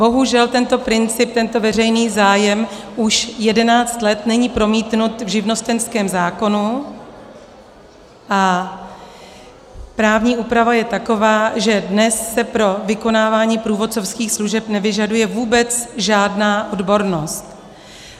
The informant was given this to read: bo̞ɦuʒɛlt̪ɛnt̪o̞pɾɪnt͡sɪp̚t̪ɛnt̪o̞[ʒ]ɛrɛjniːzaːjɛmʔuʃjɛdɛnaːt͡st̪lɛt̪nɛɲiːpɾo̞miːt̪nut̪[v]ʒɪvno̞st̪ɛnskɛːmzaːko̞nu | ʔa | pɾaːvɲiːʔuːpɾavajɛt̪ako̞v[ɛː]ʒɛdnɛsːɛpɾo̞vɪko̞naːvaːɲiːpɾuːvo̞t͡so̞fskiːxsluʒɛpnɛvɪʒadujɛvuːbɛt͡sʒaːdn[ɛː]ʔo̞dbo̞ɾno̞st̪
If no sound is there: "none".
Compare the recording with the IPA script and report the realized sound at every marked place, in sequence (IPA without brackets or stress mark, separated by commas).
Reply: v, v, aː, aː